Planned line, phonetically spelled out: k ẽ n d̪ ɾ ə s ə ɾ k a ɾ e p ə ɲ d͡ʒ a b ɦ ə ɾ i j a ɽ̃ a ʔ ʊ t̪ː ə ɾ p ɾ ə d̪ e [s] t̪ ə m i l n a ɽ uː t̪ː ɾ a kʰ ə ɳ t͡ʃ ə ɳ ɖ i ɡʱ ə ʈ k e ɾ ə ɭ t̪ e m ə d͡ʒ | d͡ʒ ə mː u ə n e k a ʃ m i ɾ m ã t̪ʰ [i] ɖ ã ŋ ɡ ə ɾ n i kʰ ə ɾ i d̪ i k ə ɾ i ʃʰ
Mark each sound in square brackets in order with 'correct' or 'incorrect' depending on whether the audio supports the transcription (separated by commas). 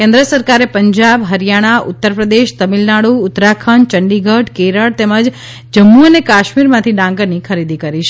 incorrect, correct